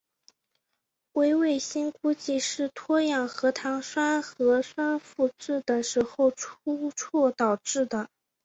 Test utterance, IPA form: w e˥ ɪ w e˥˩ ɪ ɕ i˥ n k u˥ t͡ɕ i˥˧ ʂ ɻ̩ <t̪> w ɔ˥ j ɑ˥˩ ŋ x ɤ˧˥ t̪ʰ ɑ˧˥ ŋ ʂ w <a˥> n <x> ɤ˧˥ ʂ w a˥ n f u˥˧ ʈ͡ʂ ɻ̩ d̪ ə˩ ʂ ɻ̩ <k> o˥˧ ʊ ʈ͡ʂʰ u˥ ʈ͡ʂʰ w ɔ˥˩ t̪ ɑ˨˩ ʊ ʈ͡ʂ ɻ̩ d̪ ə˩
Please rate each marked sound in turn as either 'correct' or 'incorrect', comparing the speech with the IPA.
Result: incorrect: t̪ʰ, correct, correct, incorrect: x

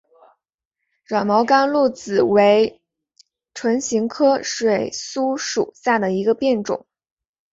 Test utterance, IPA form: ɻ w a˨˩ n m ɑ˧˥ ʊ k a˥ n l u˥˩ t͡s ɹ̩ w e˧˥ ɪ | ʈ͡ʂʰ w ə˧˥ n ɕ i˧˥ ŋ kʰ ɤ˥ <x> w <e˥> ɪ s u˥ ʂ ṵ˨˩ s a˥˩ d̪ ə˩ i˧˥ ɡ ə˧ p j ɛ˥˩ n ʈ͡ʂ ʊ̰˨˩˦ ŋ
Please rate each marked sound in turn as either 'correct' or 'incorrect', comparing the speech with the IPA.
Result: incorrect: ʂ, incorrect: e˨˩

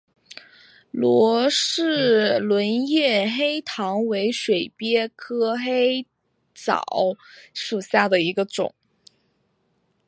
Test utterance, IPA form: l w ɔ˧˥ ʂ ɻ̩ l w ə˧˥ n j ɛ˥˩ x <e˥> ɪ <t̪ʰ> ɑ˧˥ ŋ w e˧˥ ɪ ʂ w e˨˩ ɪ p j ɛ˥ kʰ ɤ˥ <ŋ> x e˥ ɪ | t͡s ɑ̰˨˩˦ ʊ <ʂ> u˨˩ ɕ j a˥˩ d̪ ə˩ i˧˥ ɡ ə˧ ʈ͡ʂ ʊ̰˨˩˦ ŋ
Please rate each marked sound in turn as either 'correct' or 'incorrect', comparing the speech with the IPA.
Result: correct, correct, incorrect: none, correct

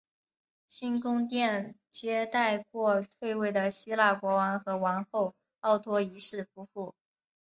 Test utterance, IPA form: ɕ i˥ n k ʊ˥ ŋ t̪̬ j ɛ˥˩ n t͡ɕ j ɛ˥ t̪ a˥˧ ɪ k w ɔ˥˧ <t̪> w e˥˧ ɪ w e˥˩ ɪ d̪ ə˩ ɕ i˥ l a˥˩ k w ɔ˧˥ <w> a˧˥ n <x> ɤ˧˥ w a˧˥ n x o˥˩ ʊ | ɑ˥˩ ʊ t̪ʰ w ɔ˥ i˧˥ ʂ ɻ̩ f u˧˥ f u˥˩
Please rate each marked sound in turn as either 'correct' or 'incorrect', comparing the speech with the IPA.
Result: incorrect: t̪ʰ, correct, correct

